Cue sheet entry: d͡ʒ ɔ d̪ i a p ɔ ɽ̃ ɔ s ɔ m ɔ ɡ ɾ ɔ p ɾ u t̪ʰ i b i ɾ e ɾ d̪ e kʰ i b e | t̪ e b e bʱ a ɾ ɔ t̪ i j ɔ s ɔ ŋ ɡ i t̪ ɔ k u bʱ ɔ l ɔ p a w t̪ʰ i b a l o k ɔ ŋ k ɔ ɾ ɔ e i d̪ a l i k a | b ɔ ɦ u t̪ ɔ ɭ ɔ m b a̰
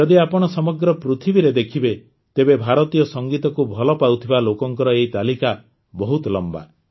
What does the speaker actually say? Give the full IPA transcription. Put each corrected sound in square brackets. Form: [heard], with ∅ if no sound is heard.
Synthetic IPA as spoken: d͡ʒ ɔ d̪ i a p ɔ ɽ̃ ɔ s ɔ m ɔ ɡ ɾ ɔ p ɾ u t̪ʰ i b i ɾ e [∅] d̪ e kʰ i b e | t̪ e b e bʱ a ɾ ɔ t̪ i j ɔ s ɔ ŋ ɡ i t̪ ɔ k u bʱ ɔ l ɔ p a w t̪ʰ i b a l o k ɔ ŋ k ɔ ɾ ɔ e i [t̪] a l i k a | b ɔ ɦ u t̪ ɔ [l] ɔ m b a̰